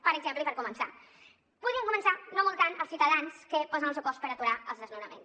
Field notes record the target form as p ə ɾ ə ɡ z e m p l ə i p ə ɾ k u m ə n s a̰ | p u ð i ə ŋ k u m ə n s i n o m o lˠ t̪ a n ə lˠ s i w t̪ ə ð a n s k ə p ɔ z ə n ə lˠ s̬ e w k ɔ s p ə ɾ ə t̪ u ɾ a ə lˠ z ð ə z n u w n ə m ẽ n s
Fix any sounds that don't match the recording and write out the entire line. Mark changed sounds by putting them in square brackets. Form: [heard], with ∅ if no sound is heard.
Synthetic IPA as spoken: p ə ɾ ə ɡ z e m p l ə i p ə ɾ k u m ə n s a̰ | p u ð i ə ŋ k u m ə n s [a] n o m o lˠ t̪ a n ə lˠ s i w t̪ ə ð a n s k ə p ɔ z ə n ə lˠ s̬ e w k ɔ s p ə ɾ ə t̪ u ɾ a ə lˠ z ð ə z n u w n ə m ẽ n s